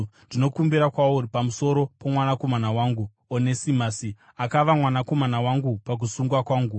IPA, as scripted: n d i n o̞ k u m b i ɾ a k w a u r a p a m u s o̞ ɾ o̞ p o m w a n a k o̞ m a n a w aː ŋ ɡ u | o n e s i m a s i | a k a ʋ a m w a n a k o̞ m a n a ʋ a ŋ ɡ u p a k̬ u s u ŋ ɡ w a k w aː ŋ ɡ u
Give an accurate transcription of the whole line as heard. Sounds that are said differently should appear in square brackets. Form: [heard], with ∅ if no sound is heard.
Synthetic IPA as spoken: n d i n o̞ k u m b i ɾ a k w a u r [i] p a m u s o̞ ɾ o̞ p o m w a n a k o̞ m a n a w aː ŋ ɡ u | o n e s i m a s i | a k a ʋ a m w a n a k o̞ m a n a [w] a ŋ ɡ u p a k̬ u s u ŋ ɡ w a k w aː ŋ ɡ u